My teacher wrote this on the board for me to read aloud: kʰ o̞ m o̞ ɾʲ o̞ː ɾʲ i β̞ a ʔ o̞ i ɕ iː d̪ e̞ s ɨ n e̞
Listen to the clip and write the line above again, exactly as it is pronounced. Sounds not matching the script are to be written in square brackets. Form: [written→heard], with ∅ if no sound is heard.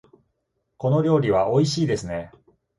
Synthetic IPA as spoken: [kʰ→k] o̞ [m→n] o̞ ɾʲ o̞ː ɾʲ i β̞ a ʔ o̞ i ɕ iː d̪ e̞ s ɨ n e̞